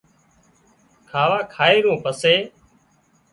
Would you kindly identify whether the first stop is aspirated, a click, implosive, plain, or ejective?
aspirated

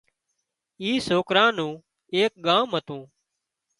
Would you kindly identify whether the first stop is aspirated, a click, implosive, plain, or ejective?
plain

